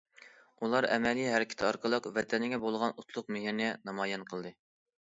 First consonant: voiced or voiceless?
voiced